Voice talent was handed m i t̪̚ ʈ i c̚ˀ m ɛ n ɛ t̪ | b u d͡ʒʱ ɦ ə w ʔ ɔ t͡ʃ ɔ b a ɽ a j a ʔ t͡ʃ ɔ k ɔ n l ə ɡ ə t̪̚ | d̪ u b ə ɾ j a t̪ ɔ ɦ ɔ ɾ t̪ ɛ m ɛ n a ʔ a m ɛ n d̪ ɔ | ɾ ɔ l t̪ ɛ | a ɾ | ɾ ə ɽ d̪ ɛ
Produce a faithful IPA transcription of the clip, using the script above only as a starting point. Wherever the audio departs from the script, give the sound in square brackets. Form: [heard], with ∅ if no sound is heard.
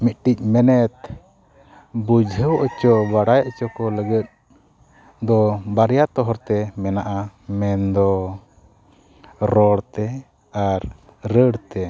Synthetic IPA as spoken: m i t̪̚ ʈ i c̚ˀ m ɛ n ɛ t̪ | b u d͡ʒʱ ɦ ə w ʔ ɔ t͡ʃ ɔ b a ɽ a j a ʔ t͡ʃ ɔ k ɔ [∅] l ə ɡ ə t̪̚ | d̪ [ɔ] b [a] ɾ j a t̪ ɔ ɦ ɔ ɾ t̪ ɛ m ɛ n a ʔ a m ɛ n d̪ ɔ | ɾ ɔ [ɽ] t̪ ɛ | a ɾ | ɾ ə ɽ [t̪] ɛ

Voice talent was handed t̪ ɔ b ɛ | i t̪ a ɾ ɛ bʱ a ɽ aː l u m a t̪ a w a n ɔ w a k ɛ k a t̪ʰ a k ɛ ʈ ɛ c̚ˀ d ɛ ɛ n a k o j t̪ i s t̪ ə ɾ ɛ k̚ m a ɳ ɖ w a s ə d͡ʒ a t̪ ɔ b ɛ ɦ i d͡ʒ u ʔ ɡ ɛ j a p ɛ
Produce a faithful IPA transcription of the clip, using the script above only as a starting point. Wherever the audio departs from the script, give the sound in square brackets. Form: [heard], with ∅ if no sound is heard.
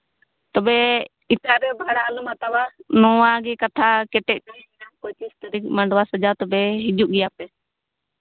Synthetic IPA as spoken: t̪ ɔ b ɛ | i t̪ a ɾ ɛ bʱ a ɽ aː l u m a t̪ a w a n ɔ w a [ɡ] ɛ k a t̪ʰ a k ɛ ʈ ɛ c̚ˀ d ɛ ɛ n a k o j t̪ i s t̪ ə ɾ [i] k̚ m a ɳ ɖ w a s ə d͡ʒ a t̪ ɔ b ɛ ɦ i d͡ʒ u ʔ ɡ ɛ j a p ɛ

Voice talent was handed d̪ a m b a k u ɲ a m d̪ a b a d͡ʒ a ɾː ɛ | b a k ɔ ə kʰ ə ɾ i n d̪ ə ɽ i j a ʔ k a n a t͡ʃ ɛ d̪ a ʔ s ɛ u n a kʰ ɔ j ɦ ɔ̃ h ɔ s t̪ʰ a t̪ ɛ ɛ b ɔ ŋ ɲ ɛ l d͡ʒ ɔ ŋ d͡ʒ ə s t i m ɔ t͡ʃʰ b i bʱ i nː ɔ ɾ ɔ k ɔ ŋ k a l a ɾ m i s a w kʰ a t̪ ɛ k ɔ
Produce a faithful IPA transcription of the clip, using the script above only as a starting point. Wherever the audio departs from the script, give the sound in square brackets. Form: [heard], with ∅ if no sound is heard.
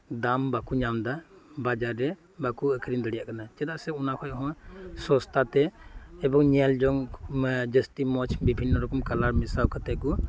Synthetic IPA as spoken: d̪ a m b a k u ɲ a m d̪ a b a d͡ʒ a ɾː ɛ | b a k [u] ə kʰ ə ɾ i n d̪ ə ɽ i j a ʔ k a n a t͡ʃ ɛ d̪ a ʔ s ɛ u n a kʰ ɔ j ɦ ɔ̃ [s] ɔ s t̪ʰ a t̪ ɛ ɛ b ɔ ŋ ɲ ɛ l d͡ʒ ɔ ŋ d͡ʒ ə s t i m ɔ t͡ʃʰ b i bʱ i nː ɔ ɾ ɔ k ɔ [m] k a l a ɾ m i s a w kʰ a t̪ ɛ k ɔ

